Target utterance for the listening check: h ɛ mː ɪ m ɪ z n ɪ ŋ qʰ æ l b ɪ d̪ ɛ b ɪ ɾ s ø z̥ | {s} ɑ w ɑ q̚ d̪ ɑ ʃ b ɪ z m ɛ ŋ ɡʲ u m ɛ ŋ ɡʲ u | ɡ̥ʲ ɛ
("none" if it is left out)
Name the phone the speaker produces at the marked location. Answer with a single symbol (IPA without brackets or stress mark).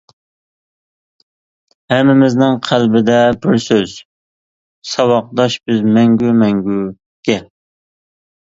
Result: s